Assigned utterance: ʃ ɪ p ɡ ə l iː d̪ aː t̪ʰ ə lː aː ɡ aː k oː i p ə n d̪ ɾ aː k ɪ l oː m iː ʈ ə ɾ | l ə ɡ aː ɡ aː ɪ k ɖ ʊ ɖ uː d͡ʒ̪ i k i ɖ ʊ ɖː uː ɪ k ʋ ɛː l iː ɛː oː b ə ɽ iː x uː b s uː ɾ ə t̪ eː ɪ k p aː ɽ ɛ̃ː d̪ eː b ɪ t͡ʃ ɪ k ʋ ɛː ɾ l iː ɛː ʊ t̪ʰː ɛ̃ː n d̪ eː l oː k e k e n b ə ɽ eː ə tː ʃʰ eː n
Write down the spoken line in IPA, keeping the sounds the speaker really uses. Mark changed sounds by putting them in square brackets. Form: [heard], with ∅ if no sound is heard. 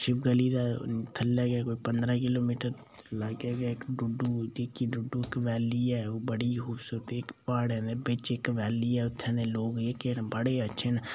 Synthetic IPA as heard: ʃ ɪ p ɡ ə l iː d̪ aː t̪ʰ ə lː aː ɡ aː k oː i p ə n d̪ ɾ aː k ɪ l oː m iː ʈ ə ɾ | l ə ɡ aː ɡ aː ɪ k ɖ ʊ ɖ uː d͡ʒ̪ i k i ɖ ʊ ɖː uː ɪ k ʋ ɛː l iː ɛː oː b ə ɽ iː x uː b s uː ɾ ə t̪ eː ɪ k p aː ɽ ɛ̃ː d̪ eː b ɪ t͡ʃ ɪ k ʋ ɛː [∅] l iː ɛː ʊ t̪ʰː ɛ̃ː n d̪ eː l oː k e k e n b ə ɽ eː ə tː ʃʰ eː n

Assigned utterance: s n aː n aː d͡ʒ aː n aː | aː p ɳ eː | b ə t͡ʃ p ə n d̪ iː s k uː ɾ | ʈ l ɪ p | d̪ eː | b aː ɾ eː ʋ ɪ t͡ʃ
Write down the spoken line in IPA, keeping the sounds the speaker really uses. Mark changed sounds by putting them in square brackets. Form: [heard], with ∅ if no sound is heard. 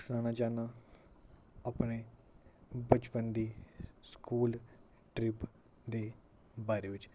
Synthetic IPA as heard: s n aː n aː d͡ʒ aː n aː | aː p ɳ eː | b ə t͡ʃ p ə n d̪ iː s k uː [l] | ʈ [ɾ] ɪ p | d̪ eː | b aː ɾ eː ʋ ɪ t͡ʃ

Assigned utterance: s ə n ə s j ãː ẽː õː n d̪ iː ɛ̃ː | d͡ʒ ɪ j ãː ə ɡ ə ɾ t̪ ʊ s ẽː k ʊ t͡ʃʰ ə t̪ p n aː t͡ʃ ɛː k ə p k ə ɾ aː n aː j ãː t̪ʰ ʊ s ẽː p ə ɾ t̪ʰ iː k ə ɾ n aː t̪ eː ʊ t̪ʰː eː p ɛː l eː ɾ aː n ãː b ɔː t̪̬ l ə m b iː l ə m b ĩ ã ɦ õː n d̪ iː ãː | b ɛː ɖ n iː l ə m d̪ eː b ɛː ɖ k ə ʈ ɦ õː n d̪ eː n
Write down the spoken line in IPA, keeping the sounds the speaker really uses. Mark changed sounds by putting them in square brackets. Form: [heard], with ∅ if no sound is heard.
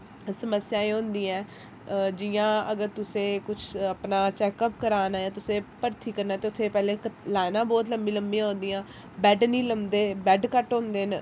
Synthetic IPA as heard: s ə [m] ə s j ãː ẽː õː n d̪ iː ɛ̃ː | d͡ʒ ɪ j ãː ə ɡ ə ɾ t̪ ʊ s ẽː k ʊ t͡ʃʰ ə [∅] p n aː t͡ʃ ɛː k ə p k ə ɾ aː n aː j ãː [t̪] ʊ s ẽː p ə ɾ t̪ʰ iː k ə ɾ n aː t̪ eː ʊ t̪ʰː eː p ɛː l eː [l] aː n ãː b ɔː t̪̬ l ə m b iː l ə m b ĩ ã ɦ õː n d̪ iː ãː | b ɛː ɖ n iː l ə m d̪ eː b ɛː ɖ k ə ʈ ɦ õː n d̪ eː n

